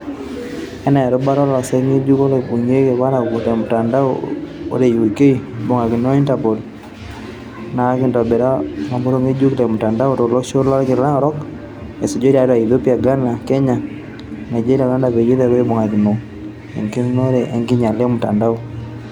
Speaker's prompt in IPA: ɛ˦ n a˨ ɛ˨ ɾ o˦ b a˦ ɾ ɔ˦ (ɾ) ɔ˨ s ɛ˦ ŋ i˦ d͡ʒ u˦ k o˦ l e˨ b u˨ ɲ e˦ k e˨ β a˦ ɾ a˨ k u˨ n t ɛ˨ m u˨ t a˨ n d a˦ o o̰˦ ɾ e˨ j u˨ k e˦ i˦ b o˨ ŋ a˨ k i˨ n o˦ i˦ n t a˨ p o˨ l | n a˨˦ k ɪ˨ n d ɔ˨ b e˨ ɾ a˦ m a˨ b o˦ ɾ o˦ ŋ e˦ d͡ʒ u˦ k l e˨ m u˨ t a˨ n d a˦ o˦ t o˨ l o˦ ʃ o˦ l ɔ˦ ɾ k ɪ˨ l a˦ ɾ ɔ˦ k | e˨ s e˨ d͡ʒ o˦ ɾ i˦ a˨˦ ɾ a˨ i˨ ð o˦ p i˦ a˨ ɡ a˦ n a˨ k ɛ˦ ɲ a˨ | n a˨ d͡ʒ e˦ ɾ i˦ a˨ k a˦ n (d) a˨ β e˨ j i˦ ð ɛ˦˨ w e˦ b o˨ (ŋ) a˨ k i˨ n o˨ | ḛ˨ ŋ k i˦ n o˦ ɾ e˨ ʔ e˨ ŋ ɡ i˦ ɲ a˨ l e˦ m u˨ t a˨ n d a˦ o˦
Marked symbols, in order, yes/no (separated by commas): no, yes, yes